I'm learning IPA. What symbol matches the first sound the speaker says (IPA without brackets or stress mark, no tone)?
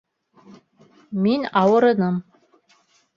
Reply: m